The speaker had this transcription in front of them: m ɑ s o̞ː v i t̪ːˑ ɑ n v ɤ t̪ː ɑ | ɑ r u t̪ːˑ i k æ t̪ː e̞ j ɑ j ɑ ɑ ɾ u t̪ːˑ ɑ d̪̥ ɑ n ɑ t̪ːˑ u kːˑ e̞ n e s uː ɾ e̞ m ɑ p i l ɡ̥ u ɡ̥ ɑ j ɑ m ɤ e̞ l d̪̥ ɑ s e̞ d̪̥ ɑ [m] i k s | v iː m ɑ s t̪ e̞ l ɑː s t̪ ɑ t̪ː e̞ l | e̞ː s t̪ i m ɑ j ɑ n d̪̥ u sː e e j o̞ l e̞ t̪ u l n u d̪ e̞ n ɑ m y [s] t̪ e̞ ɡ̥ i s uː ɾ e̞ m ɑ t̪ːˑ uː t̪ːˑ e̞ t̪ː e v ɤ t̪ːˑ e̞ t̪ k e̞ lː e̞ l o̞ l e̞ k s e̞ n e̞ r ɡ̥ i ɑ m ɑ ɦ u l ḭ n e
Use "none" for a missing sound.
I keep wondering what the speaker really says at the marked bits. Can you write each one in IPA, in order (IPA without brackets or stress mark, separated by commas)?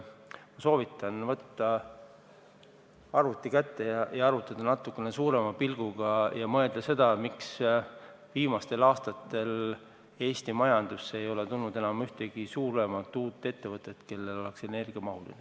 m, h